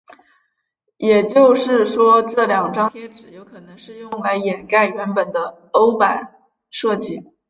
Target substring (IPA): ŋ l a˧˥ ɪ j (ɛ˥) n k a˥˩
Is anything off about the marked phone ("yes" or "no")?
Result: yes